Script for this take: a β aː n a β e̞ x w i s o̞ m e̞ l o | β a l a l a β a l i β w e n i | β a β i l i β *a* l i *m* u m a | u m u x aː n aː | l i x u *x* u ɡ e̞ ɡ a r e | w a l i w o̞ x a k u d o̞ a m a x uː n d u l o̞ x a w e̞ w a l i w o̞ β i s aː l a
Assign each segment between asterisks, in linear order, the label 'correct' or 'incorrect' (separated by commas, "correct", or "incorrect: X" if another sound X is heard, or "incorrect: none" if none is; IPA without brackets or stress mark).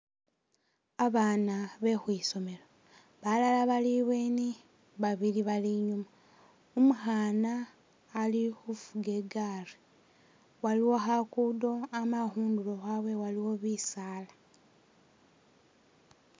correct, incorrect: ɲ, incorrect: f